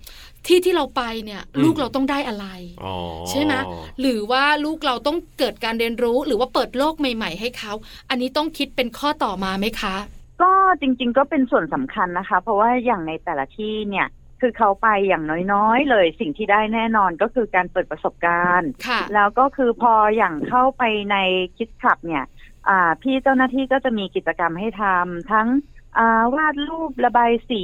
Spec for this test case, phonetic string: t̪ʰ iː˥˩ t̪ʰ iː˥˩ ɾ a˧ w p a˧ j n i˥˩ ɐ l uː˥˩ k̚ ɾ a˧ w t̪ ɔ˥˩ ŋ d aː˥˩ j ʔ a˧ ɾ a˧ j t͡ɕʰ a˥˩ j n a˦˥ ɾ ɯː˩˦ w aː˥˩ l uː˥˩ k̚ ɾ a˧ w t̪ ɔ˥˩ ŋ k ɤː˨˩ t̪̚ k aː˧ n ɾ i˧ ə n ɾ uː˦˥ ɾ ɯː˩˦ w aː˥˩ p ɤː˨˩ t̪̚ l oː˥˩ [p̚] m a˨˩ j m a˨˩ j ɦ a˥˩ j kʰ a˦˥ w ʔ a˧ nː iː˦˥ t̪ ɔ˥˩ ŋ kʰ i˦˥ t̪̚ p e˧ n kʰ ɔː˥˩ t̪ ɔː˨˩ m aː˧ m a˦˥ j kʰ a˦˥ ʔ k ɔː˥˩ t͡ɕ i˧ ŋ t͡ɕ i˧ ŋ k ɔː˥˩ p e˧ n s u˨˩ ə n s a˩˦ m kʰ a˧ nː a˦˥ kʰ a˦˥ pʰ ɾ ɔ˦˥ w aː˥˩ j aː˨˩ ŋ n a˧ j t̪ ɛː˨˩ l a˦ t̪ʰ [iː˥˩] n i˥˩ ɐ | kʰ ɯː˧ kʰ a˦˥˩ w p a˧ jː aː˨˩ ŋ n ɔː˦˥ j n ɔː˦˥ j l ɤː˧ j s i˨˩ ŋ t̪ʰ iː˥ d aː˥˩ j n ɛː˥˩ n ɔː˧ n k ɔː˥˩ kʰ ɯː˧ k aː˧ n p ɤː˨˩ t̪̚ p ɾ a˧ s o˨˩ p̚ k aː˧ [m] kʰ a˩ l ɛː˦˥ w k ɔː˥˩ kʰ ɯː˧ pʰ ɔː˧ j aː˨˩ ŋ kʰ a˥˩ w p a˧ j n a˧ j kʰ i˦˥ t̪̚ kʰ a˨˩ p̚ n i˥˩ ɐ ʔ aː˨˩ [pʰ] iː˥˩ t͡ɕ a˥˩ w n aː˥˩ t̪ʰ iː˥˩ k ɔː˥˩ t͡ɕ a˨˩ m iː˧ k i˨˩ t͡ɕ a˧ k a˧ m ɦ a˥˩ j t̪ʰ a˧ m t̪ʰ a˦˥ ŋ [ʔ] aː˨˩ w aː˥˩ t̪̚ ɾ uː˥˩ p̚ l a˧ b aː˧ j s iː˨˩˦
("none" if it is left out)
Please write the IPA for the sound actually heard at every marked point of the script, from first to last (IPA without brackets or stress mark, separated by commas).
k̚, iː˥˩, n, pʰ, ʔ